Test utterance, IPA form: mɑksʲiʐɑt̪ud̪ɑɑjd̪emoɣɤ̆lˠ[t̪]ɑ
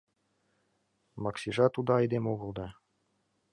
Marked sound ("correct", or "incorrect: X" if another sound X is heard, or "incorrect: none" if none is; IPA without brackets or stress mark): incorrect: d̪